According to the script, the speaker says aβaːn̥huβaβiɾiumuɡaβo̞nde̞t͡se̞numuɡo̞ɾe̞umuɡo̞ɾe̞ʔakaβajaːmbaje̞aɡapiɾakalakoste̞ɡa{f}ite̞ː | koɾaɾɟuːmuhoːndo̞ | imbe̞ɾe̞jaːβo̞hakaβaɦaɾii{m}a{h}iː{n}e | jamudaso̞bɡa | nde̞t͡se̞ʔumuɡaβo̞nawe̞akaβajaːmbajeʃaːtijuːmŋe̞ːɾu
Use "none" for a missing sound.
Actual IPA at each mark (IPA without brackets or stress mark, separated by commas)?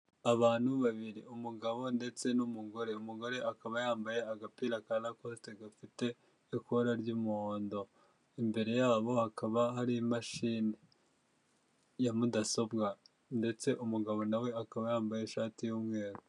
f, m, ʃ, n